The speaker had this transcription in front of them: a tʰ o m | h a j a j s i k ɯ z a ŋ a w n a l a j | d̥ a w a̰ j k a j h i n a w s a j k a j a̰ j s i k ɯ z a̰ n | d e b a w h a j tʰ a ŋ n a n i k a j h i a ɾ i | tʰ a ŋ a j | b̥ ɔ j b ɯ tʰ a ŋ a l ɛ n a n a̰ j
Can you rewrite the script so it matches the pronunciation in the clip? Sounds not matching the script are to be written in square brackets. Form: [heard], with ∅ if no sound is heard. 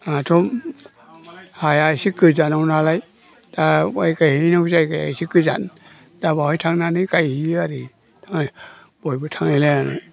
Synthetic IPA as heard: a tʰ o m | h a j a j s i k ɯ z a [n] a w n a l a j | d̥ a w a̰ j k a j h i n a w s a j k a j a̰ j s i k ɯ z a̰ n | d [a] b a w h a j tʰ a ŋ n a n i k a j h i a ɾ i | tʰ a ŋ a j | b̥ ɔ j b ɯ tʰ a ŋ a l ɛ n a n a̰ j